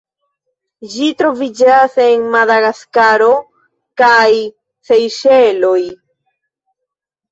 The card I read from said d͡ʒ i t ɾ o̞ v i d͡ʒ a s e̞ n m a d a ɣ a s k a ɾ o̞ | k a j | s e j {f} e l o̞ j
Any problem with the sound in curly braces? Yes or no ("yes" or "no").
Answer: yes